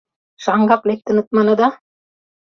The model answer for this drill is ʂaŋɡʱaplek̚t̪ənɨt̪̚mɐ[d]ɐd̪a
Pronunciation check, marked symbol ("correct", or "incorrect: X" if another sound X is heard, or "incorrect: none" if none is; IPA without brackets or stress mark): incorrect: n